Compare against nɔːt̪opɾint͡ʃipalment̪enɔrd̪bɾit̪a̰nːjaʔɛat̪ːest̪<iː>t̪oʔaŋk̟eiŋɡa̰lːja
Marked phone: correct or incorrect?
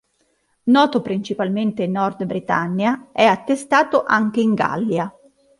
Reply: incorrect